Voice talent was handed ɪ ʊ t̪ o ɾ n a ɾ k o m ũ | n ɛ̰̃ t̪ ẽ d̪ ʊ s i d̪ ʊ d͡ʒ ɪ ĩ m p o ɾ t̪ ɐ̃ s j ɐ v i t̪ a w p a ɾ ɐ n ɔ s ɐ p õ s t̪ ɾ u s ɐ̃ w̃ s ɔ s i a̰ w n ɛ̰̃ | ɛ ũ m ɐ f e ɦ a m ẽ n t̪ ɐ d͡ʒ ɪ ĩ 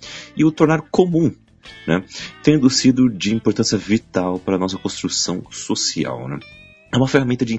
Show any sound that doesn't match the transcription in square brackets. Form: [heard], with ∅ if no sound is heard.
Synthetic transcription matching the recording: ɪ ʊ t̪ o ɾ n a ɾ k o m ũ | n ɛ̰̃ t̪ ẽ d̪ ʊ s i d̪ ʊ d͡ʒ ɪ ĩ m p o ɾ t̪ ɐ̃ s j ɐ v i t̪ a w p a ɾ ɐ n ɔ s ɐ [k] õ s t̪ ɾ u s ɐ̃ w̃ s [o] s i a̰ w n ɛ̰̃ | ɛ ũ m ɐ f e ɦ a m ẽ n t̪ ɐ d͡ʒ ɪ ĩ